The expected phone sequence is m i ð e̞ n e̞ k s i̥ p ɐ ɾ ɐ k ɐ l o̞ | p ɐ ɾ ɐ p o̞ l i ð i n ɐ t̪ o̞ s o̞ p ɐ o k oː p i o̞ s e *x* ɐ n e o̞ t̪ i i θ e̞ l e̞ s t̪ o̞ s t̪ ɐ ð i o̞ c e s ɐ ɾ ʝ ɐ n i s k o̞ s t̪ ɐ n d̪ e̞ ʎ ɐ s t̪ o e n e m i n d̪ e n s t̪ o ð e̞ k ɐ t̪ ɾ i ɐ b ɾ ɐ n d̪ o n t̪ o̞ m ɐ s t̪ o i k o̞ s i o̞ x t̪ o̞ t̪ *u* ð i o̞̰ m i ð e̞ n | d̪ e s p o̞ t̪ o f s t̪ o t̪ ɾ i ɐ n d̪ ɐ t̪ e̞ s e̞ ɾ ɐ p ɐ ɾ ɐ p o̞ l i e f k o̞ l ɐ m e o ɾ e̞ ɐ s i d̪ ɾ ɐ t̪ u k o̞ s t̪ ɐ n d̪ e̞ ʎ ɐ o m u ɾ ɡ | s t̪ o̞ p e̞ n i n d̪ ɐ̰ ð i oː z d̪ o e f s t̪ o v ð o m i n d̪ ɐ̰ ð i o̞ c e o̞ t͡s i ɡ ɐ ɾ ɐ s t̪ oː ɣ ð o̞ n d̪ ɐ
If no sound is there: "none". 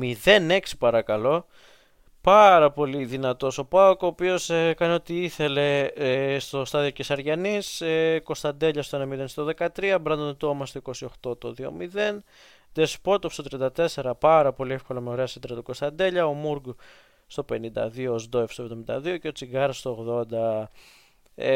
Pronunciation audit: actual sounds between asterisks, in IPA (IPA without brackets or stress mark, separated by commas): k, o